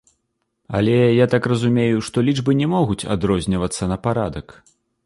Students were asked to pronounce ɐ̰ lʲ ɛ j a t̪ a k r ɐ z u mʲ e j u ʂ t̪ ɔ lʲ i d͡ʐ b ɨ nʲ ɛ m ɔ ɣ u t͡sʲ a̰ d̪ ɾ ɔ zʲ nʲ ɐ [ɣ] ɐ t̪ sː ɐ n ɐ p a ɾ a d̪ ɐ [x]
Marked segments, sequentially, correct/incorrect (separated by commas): incorrect, incorrect